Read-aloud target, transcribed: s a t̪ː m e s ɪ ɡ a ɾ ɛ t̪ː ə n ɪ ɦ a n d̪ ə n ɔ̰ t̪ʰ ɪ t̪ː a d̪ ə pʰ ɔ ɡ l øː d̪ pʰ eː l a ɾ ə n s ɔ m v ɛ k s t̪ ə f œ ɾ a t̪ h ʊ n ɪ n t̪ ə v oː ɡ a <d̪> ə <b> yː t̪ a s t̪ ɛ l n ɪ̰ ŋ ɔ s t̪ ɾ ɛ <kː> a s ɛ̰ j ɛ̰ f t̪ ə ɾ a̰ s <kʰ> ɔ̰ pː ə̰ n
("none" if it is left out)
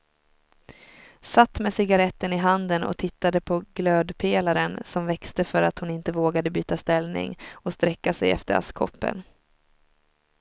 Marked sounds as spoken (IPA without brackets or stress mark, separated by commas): d̪, b, kː, kʰ